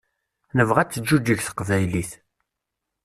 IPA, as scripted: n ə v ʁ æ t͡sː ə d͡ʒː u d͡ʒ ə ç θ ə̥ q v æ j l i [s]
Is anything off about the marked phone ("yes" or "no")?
yes